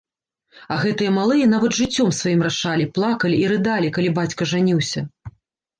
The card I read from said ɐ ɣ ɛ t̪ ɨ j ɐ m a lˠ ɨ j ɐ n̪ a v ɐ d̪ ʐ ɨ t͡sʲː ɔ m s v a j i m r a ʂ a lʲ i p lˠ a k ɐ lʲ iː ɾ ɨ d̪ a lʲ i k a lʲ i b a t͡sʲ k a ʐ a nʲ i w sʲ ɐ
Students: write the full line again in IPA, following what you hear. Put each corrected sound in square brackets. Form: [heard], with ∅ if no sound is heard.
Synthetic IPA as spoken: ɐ ɣ ɛ t̪ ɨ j ɐ m a lˠ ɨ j ɐ n̪ a v ɐ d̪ ʐ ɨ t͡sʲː ɔ m s v a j i m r a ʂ a lʲ i p lˠ a k ɐ lʲ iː ɾ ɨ d̪ a lʲ i k a lʲ i b a t͡sʲ k [ɐ] ʐ a nʲ i w sʲ ɐ